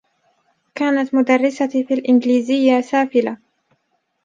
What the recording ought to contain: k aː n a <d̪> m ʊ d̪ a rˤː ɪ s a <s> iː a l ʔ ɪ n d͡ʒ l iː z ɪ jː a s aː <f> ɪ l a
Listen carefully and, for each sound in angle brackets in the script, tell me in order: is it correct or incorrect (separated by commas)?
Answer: incorrect, incorrect, correct